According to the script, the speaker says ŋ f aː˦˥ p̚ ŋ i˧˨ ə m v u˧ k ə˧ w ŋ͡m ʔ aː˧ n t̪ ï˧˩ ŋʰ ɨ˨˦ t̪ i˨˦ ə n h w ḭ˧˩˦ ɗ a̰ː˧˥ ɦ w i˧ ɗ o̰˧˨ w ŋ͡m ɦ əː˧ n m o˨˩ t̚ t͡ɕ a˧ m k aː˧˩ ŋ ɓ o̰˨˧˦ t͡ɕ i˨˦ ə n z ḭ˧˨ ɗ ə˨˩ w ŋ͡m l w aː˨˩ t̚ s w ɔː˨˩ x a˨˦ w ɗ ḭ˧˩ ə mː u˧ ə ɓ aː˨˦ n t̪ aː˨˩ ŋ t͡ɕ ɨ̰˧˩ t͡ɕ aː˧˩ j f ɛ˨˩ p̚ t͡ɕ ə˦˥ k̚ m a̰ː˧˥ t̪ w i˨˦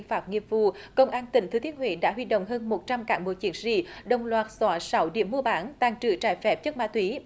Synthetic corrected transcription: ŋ f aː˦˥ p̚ ŋ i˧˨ ə m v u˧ k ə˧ w ŋ͡m ʔ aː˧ n t̪ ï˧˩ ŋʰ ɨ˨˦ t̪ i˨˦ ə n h w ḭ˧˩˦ ɗ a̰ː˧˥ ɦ w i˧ ɗ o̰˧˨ w ŋ͡m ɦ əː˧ n m o˨˩ t̚ t͡ɕ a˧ m k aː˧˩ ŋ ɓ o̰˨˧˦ t͡ɕ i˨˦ ə n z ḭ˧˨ ɗ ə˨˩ w ŋ͡m l w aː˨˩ t̚ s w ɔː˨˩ s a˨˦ w ɗ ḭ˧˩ ə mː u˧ ə ɓ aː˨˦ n t̪ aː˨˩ ŋ t͡ɕ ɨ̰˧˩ t͡ɕ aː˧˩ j f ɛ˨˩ p̚ t͡ɕ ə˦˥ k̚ m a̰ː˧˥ t̪ w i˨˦

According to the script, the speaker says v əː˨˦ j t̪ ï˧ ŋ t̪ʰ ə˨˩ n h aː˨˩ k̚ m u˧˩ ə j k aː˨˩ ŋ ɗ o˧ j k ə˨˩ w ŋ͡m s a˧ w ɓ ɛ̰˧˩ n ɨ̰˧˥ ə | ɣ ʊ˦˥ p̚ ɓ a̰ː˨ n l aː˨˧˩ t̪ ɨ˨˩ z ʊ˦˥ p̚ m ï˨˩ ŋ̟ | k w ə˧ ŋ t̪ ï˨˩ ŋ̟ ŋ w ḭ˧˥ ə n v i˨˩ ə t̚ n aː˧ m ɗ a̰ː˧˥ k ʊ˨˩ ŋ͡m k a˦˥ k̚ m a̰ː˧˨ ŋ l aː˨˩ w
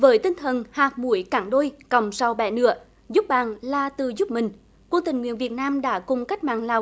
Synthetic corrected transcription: v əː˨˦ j t̪ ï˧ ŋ t̪ʰ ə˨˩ n h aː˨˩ k̚ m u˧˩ ə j k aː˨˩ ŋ ɗ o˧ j k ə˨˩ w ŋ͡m s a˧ w ɓ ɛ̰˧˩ n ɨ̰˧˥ ə | z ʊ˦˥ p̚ ɓ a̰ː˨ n l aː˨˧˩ t̪ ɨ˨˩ z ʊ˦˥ p̚ m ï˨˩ ŋ̟ | k w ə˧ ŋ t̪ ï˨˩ ŋ̟ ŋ w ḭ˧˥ ə n v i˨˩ ə t̚ n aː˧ m ɗ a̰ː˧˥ k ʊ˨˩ ŋ͡m k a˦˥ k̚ m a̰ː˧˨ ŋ l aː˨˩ w

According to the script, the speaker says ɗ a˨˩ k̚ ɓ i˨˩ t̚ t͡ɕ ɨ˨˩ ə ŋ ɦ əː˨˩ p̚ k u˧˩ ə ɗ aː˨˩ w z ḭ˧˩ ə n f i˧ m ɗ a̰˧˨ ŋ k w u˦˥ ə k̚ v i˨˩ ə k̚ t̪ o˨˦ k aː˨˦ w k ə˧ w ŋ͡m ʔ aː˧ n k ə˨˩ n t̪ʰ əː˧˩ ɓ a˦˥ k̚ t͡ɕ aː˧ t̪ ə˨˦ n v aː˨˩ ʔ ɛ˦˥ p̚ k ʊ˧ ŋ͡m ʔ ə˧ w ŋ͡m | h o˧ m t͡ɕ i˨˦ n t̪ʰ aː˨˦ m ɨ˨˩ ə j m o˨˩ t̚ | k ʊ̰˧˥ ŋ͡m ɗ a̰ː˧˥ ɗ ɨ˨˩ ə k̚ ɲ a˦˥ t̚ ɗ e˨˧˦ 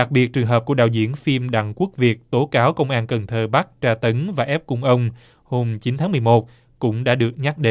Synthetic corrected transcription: ɗ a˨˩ k̚ ɓ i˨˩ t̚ t͡ɕ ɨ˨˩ ə ŋ ɦ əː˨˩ p̚ k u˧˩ ə ɗ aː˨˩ w z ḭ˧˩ ə n f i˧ m ɗ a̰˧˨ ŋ k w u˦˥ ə k̚ v i˨˩ ə k̚ t̪ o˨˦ k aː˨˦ w k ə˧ w ŋ͡m ʔ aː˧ n k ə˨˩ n t̪ʰ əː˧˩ ɓ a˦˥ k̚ t͡ɕ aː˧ t̪ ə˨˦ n v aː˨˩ ʔ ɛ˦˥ p̚ k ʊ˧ ŋ͡m ʔ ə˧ w ŋ͡m | h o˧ m t͡ɕ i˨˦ n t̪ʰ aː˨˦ m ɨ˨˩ ə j m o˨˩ t̚ | k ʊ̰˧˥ ŋ͡m ɗ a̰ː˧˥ ɗ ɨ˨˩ ə k̚ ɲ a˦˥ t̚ ɗ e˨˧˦

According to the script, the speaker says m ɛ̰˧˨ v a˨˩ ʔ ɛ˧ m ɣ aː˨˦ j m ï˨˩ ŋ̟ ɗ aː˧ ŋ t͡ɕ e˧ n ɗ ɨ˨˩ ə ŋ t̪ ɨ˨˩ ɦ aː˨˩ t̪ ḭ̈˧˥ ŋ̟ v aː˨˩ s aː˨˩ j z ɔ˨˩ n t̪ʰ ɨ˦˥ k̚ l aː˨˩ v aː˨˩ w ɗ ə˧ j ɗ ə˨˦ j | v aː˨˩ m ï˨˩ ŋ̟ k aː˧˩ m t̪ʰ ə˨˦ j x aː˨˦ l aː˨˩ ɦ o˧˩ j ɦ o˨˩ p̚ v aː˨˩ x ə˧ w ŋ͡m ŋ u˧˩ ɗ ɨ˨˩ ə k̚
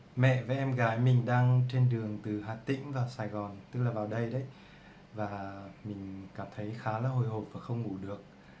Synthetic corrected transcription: m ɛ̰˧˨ v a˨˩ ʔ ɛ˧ m ɣ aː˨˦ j m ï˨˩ ŋ̟ ɗ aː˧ ŋ t͡ɕ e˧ n ɗ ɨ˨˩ ə ŋ t̪ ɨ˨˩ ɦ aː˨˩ t̪ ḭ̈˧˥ ŋ̟ v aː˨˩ s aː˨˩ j ɣ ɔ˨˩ n t̪ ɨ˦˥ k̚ l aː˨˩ v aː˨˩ w ɗ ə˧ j ɗ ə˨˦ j | v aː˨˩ m ï˨˩ ŋ̟ k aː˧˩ m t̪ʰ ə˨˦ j x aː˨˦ l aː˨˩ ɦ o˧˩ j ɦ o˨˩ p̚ v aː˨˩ x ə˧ w ŋ͡m ŋ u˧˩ ɗ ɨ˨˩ ə k̚

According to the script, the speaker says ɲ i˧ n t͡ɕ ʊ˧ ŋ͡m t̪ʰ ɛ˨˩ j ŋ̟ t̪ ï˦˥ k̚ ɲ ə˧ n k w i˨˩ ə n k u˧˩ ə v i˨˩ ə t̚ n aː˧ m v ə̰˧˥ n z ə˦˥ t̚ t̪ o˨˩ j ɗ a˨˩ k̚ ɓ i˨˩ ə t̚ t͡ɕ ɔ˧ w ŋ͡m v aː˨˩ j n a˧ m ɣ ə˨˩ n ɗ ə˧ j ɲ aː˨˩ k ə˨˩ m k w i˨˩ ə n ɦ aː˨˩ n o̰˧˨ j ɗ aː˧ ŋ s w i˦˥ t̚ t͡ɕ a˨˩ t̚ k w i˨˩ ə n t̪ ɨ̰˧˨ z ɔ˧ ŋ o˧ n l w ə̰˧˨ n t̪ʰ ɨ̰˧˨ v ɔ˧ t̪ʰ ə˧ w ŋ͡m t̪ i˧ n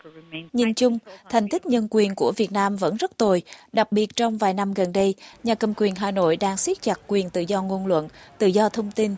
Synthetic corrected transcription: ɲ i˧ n t͡ɕ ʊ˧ ŋ͡m t̪ʰ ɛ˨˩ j ŋ̟ t̪ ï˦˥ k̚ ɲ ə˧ n k w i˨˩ ə n k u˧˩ ə v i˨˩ ə t̚ n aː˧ m v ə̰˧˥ n z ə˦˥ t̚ t̪ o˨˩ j ɗ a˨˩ k̚ ɓ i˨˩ ə t̚ t͡ɕ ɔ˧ w ŋ͡m v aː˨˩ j n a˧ m ɣ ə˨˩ n ɗ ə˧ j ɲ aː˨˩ k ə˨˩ m k w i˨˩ ə n ɦ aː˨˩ n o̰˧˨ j ɗ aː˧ ŋ s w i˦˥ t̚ t͡ɕ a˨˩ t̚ k w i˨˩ ə n t̪ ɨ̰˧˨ z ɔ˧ ŋ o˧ n l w ə̰˧˨ n t̪ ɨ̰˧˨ z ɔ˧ t̪ʰ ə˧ w ŋ͡m t̪ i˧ n

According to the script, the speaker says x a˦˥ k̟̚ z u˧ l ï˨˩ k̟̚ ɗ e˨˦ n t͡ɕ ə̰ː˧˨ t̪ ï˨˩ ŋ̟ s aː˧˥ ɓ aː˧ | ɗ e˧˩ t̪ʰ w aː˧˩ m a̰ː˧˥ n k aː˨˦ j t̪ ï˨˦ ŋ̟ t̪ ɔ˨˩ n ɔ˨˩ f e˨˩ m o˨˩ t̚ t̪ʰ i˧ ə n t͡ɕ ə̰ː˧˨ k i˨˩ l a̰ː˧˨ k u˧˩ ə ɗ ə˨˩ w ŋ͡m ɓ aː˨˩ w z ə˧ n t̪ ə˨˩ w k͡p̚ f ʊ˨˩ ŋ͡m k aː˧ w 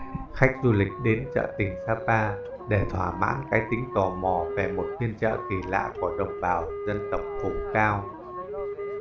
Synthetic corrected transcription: x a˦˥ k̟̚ z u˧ l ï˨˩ k̟̚ ɗ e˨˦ n t͡ɕ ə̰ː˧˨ t̪ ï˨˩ ŋ̟ s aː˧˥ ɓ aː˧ | ɗ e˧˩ t̪ʰ w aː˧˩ m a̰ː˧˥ n k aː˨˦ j t̪ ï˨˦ ŋ̟ t̪ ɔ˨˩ m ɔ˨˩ v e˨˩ m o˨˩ t̚ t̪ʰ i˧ ə n t͡ɕ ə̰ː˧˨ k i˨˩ l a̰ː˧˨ k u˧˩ ə ɗ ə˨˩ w ŋ͡m ɓ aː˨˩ w z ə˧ n t̪ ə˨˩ w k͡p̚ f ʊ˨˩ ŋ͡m k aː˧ w

